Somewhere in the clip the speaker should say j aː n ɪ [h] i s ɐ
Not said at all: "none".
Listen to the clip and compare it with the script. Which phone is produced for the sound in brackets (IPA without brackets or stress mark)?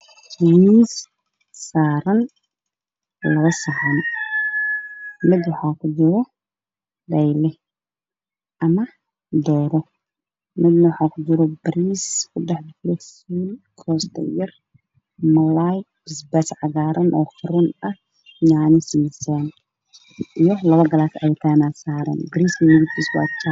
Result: s